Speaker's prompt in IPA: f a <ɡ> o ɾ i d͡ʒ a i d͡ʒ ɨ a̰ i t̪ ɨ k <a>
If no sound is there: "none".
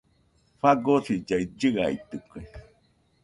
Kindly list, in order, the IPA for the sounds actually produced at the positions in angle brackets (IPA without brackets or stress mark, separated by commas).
ɡ, e